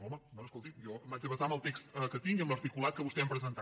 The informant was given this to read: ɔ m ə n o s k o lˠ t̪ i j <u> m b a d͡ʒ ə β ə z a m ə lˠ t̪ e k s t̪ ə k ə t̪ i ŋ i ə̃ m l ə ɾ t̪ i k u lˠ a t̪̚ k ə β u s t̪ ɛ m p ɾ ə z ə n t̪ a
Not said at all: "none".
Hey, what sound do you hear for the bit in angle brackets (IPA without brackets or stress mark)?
ɔ